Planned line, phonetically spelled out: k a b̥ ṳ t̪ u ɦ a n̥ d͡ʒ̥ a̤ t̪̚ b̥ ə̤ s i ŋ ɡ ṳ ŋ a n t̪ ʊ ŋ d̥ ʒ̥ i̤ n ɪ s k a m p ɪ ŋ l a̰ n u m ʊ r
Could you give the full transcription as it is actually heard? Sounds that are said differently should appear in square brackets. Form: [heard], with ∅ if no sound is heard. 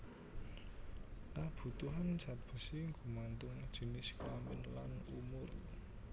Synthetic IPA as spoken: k a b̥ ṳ t̪ u ɦ a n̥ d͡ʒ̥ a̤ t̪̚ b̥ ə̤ s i ŋ ɡ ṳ [m] a n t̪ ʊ ŋ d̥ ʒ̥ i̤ n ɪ s k a m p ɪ [n] l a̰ n u m ʊ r